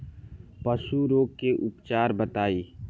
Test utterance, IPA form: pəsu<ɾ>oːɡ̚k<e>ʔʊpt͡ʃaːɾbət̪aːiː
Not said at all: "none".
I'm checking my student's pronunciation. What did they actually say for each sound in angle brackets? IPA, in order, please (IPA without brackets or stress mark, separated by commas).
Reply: ɾ, e